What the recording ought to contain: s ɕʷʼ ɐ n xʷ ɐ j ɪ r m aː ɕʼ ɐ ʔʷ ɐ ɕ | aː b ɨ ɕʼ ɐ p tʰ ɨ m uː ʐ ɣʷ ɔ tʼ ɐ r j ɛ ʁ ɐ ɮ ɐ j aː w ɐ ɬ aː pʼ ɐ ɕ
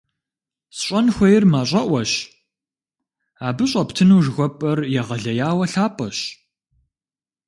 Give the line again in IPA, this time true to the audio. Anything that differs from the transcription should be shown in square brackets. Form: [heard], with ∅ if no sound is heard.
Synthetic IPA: s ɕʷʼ ɐ n xʷ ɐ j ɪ r m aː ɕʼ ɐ ʔʷ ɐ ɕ | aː b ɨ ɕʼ ɐ p tʰ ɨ [n] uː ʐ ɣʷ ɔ [pʼ] ɐ r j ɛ ʁ ɐ ɮ ɐ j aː w ɐ ɬ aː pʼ ɐ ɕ